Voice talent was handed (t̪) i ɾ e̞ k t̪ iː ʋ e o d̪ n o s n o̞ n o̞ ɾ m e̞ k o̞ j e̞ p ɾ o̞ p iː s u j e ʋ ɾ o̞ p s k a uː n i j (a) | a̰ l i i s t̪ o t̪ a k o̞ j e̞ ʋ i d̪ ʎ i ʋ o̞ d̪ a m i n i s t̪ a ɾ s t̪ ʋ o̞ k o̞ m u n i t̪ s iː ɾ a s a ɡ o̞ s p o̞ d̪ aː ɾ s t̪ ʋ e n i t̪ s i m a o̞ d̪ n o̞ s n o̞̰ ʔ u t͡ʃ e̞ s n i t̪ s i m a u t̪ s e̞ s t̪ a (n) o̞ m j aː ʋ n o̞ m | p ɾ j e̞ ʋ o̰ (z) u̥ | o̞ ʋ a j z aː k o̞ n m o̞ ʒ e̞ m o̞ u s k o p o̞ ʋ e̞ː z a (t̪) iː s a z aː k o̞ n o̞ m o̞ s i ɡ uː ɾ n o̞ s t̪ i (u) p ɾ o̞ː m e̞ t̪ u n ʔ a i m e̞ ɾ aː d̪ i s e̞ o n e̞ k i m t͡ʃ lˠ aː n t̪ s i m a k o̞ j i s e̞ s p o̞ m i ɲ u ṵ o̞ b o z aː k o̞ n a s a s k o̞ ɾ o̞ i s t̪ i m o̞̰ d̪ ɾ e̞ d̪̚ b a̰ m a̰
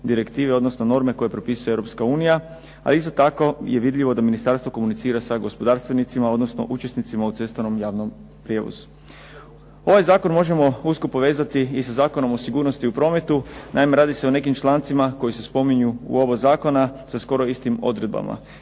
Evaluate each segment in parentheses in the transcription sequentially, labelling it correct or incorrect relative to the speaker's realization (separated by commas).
incorrect, correct, correct, correct, correct, correct